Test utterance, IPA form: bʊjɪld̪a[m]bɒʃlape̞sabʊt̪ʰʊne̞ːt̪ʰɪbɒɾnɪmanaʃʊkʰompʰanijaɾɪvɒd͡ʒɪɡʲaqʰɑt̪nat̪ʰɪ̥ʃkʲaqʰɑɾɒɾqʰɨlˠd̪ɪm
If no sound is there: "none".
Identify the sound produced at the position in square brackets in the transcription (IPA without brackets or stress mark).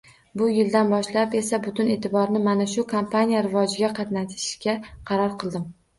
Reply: n